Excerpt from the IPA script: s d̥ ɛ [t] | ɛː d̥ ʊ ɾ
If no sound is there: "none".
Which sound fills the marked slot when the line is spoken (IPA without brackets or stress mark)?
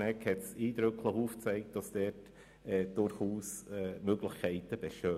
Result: t